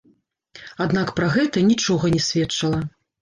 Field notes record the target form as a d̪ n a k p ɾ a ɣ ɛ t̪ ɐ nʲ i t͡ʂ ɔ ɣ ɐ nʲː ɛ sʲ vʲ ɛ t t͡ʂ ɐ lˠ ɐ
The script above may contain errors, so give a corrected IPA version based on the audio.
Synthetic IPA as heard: a d̪ n a k p ɾ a ɣ ɛ t̪ ɐ nʲ i t͡ʂ ɔ ɣ ɐ nʲ ɛ sʲ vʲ ɛ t t͡ʂ ɐ lˠ ɐ